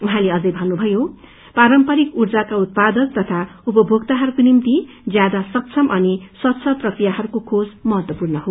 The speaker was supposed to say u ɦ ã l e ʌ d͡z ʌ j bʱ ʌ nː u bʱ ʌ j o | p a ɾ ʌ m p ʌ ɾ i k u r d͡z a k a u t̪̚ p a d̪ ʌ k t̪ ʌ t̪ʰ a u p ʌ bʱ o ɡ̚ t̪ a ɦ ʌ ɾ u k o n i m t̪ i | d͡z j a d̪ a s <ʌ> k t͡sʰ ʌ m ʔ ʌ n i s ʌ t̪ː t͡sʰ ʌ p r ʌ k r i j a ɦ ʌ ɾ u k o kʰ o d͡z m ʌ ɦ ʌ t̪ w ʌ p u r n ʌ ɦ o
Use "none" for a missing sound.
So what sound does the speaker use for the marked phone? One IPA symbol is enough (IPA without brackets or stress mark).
ʌ